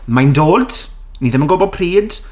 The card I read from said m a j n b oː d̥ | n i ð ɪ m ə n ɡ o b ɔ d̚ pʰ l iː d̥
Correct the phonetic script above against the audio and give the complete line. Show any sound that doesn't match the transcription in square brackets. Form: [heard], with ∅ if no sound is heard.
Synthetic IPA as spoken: m a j n [d] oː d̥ | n i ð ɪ m ə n ɡ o b ɔ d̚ pʰ [r] iː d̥